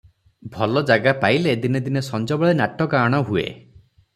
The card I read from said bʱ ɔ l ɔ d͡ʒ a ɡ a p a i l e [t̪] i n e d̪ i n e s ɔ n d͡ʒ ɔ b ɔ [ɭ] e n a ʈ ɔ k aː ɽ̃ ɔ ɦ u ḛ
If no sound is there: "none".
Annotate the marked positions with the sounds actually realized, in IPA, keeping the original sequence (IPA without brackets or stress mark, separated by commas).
d̪, ɭ